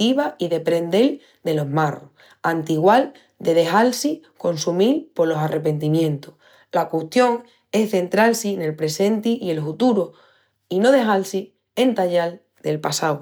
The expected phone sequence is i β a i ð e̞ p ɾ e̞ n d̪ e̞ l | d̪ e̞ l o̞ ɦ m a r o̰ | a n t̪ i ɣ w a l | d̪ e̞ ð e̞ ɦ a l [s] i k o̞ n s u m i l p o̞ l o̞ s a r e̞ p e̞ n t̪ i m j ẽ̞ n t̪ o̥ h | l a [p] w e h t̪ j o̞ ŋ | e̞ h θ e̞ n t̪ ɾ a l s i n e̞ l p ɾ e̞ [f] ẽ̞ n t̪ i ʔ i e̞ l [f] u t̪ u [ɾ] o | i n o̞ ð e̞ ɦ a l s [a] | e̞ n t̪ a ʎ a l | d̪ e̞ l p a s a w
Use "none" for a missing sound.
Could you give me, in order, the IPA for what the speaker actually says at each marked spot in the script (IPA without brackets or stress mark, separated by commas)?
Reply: s, k, s, f, ɾ, i